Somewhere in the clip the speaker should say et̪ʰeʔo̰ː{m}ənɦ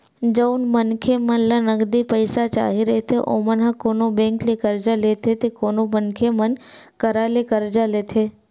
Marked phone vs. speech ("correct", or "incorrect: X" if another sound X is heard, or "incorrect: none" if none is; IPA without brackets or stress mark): correct